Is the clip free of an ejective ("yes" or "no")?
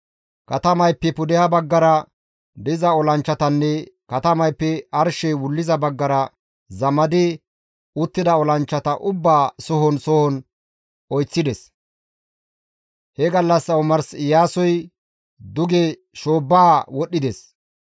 yes